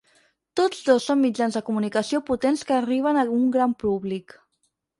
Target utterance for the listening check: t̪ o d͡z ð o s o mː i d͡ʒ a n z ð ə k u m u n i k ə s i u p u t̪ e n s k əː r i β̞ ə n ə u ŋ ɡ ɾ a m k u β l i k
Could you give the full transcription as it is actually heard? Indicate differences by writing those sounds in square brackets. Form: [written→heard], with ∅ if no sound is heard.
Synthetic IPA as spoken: t̪ o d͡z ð o s o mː i d͡ʒ a n z ð ə k u m u n i k ə s i [u→o] p u t̪ e n s k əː r i β̞ ə n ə u ŋ ɡ ɾ a m [k→p] u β l i k